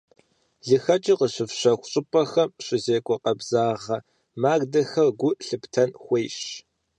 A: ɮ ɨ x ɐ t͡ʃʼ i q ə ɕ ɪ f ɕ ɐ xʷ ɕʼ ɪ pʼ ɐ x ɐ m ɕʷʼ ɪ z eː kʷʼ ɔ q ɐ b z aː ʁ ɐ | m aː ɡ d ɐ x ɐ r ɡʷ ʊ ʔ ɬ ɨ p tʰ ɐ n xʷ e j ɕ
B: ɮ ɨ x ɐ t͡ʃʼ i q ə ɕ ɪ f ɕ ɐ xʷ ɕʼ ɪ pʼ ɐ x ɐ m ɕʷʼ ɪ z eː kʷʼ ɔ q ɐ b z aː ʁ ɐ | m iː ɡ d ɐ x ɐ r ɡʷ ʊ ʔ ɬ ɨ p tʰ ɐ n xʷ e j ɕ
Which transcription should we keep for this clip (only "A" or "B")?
A